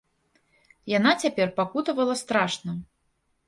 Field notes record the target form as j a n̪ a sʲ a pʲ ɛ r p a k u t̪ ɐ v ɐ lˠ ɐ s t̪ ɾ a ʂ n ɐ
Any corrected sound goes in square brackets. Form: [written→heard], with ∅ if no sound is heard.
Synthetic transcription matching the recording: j a n̪ a [sʲ→t͡sʲ] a pʲ ɛ r p a k u t̪ ɐ v ɐ lˠ ɐ s t̪ ɾ a ʂ n ɐ